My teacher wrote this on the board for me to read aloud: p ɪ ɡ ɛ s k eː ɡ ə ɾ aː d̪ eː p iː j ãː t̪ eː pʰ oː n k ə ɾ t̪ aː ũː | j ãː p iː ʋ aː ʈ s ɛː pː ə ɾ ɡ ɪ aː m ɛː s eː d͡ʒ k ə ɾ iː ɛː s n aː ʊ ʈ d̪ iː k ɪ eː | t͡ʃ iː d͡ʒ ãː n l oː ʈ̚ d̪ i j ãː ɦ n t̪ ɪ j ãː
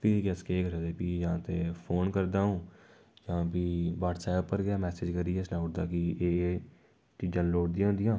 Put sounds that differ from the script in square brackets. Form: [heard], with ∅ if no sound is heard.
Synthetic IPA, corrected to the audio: p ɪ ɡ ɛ s k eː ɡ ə ɾ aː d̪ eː p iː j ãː t̪ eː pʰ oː n k ə ɾ [d̪] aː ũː | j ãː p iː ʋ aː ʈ s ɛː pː ə ɾ ɡ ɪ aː m ɛː s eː d͡ʒ k ə ɾ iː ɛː s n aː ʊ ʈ d̪ [aː] k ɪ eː | t͡ʃ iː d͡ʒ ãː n l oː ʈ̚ d̪ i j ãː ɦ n [d̪] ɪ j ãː